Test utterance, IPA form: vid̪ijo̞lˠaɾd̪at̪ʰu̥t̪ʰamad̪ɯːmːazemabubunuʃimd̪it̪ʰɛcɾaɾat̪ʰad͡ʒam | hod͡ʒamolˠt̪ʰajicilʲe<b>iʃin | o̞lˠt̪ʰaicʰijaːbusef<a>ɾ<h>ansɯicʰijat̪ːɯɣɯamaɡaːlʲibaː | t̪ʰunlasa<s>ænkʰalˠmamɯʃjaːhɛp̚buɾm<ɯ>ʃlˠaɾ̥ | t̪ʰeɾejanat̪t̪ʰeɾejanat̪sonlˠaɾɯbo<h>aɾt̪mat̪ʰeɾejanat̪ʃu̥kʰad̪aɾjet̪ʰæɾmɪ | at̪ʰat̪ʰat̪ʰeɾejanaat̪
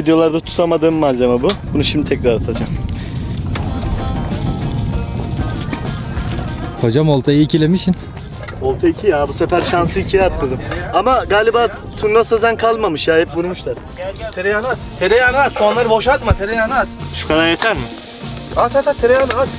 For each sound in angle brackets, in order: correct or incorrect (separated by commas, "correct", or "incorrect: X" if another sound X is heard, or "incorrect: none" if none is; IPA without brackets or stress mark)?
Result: incorrect: m, incorrect: æ, incorrect: ʃ, incorrect: z, incorrect: u, incorrect: ʃ